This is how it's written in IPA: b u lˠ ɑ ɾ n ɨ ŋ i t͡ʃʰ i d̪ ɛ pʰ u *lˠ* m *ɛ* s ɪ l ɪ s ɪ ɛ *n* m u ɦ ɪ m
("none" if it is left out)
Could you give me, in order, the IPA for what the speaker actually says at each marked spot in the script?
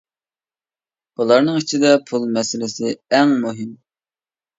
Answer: lˠ, ɛ, ŋ

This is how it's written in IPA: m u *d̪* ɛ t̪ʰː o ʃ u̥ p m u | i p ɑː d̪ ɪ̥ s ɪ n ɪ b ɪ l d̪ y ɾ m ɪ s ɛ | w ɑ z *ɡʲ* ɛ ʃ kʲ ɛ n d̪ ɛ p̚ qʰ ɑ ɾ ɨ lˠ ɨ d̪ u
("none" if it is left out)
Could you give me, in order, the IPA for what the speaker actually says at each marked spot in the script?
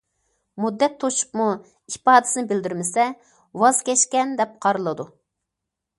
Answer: d̪ː, kʲ

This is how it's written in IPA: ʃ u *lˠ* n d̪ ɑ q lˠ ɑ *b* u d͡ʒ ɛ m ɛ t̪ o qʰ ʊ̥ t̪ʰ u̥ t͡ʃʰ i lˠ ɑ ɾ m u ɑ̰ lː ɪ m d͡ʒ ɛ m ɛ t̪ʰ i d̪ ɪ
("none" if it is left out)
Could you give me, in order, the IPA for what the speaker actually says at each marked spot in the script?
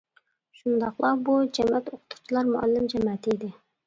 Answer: none, b

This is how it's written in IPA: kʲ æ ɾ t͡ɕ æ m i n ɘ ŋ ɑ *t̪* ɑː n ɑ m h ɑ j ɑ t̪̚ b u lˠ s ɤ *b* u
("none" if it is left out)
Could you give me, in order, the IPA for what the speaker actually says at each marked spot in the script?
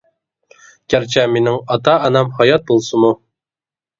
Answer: t̪, m

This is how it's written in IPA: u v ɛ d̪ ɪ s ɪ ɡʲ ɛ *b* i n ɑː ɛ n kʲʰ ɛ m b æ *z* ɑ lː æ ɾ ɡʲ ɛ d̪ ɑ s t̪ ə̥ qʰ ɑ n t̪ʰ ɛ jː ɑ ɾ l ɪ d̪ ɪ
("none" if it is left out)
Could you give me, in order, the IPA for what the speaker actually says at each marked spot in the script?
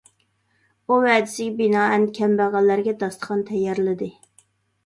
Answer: b, ʁ

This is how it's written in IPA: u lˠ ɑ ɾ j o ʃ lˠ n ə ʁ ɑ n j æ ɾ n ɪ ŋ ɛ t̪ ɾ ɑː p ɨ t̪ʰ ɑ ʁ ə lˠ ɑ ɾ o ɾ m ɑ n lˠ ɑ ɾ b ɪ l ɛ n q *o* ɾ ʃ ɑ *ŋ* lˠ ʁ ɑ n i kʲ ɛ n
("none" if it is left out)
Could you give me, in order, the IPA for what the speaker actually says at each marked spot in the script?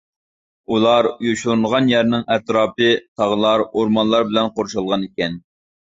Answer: o, none

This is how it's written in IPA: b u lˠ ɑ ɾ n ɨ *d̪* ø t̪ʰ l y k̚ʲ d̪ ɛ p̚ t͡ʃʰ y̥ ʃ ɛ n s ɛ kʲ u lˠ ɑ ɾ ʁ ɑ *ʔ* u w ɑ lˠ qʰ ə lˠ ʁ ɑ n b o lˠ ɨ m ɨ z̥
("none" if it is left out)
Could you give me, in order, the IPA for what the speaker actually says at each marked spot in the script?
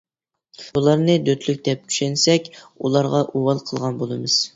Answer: d̪, ʔ

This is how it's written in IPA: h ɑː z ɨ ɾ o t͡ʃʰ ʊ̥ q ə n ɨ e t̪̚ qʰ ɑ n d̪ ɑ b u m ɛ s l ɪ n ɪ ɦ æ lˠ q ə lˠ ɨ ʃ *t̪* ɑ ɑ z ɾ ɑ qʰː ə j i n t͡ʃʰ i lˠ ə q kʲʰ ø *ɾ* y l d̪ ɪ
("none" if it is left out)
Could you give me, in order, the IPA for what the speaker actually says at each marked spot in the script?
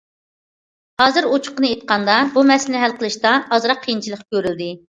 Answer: t̪, ɾ

